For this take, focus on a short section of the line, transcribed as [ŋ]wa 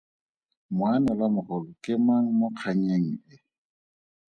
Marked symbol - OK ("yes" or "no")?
no